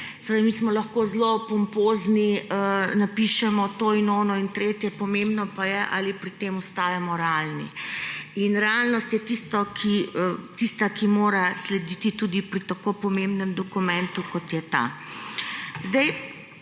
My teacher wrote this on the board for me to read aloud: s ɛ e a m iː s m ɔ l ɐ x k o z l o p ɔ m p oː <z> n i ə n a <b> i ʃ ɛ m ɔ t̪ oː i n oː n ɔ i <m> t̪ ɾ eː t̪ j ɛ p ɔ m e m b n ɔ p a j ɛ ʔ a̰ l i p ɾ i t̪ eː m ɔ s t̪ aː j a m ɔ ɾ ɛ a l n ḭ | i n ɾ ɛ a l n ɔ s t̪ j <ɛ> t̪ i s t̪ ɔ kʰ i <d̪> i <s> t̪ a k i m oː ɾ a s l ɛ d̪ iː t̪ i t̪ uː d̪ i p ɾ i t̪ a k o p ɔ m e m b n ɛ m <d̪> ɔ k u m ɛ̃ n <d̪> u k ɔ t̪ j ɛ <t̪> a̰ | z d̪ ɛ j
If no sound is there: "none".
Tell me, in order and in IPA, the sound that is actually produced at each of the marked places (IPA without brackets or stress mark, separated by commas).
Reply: z, p, n, ɛ, t̪, s, d̪, t̪, t̪